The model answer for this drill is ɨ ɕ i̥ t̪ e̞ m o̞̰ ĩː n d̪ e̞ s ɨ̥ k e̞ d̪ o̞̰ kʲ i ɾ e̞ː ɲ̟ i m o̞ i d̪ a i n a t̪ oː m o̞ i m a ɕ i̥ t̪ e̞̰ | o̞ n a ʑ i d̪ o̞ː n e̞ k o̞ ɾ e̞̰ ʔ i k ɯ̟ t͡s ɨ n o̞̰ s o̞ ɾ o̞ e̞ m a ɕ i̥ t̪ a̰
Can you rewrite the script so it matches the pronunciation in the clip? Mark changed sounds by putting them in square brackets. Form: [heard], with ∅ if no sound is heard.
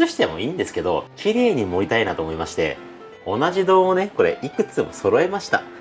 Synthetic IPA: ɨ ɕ i̥ t̪ e̞ m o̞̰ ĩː n d̪ e̞ s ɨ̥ k e̞ d̪ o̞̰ kʲ i ɾ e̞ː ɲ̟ i m o̞ i [t̪] a i n a t̪ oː m o̞ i m a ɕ i̥ t̪ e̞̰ | o̞ n a ʑ i d̪ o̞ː n e̞ k o̞ ɾ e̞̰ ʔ i k ɯ̟ t͡s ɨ [m] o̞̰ s o̞ ɾ o̞ e̞ m a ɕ i̥ t̪ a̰